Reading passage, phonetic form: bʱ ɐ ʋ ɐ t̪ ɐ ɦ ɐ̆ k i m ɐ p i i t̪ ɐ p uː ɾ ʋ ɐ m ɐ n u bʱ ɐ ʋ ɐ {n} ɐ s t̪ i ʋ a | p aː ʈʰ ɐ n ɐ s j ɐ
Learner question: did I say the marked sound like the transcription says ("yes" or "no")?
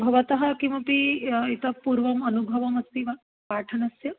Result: no